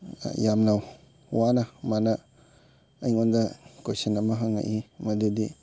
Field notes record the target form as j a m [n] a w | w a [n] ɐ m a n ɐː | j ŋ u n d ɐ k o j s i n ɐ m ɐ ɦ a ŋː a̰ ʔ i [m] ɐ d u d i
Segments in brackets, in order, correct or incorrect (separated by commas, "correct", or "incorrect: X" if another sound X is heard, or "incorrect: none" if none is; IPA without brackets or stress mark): correct, correct, correct